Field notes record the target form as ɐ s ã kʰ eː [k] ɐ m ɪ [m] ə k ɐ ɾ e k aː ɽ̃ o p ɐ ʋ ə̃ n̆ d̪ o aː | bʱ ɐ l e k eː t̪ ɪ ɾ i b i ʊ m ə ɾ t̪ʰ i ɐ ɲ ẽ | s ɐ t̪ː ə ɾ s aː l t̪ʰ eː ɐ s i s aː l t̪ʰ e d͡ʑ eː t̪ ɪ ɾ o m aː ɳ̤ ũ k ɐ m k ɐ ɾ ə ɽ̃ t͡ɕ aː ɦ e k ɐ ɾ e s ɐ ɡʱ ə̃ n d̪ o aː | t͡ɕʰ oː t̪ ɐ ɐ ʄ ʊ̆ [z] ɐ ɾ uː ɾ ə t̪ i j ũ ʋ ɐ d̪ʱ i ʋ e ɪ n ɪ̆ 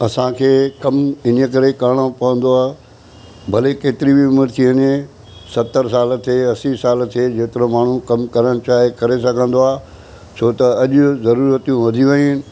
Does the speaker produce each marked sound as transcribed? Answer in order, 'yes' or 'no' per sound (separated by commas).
yes, no, yes